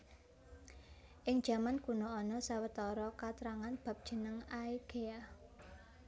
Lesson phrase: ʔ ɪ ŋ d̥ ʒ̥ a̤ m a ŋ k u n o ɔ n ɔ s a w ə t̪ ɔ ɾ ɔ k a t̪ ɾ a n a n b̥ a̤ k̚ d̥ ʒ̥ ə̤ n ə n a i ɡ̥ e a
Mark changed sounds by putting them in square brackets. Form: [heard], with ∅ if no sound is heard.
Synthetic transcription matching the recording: ʔ ɪ ŋ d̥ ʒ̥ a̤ m a [n] k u n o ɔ n ɔ s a w ə t̪ ɔ ɾ ɔ k a t̪ ɾ a [ŋ] a n b̥ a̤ [p̚] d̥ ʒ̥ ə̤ n ə [ŋ] a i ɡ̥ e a